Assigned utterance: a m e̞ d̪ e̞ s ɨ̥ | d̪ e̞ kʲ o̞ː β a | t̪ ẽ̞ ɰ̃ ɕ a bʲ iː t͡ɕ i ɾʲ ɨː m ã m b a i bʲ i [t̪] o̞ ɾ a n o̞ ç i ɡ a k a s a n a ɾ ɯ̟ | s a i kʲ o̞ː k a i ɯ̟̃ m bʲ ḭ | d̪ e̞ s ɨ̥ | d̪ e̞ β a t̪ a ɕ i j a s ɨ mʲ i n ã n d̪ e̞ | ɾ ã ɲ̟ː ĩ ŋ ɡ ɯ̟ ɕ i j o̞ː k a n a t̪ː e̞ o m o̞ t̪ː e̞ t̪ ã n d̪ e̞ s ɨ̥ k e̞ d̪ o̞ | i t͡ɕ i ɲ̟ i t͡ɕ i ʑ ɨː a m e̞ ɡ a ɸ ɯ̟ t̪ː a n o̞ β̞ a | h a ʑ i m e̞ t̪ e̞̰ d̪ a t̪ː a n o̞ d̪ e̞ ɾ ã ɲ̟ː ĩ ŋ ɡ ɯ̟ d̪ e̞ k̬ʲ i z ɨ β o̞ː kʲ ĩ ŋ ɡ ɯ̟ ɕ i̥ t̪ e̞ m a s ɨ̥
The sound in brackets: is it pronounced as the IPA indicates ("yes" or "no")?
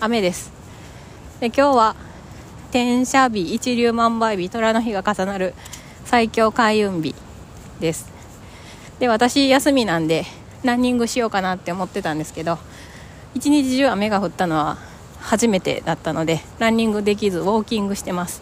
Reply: yes